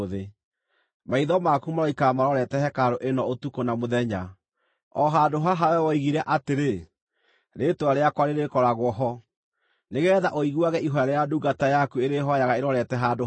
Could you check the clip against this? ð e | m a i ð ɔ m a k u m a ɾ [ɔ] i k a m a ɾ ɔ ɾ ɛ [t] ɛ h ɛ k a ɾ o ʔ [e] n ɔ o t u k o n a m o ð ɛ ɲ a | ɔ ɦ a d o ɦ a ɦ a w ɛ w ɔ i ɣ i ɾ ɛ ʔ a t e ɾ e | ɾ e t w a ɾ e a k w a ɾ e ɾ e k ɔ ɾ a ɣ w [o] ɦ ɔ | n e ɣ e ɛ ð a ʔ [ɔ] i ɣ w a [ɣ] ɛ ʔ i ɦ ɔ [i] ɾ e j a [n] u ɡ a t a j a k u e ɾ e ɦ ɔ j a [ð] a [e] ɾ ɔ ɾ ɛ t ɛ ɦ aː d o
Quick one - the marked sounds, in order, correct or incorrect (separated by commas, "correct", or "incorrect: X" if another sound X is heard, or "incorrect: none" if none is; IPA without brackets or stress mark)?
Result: correct, correct, correct, incorrect: ɔ, incorrect: o, correct, incorrect: a, incorrect: d, incorrect: ɣ, correct